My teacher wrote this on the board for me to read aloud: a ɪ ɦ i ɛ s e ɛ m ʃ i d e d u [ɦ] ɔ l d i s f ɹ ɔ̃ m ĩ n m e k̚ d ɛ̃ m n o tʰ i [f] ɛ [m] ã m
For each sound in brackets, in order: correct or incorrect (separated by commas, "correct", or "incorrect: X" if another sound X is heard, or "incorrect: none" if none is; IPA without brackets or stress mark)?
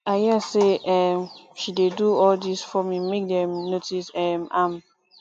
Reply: incorrect: none, incorrect: s, correct